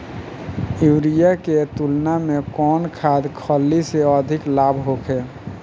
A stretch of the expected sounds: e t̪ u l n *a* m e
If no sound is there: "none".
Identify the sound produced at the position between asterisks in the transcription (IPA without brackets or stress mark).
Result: a